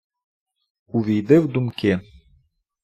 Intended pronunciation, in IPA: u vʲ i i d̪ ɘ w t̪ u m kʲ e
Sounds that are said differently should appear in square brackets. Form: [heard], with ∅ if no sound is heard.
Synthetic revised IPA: u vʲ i [j] d̪ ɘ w [d̪] u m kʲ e